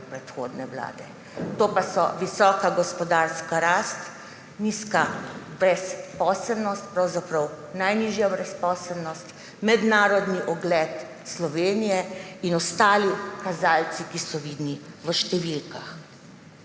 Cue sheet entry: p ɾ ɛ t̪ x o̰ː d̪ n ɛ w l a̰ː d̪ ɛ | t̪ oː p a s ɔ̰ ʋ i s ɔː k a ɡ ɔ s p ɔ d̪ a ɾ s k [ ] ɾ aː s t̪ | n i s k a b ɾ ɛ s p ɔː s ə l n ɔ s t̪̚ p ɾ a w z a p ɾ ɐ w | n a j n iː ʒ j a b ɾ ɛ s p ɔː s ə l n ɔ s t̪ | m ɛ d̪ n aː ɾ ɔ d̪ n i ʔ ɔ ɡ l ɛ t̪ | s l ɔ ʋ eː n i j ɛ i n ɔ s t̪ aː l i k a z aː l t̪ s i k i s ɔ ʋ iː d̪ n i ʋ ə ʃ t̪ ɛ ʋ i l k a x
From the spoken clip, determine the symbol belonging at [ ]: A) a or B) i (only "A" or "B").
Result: A